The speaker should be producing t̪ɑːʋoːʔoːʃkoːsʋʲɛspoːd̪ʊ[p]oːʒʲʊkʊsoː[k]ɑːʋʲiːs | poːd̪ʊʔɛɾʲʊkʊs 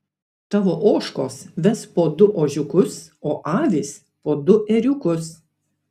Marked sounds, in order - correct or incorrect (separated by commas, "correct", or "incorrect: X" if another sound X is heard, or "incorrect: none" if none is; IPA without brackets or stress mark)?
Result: incorrect: ʔ, incorrect: ʔ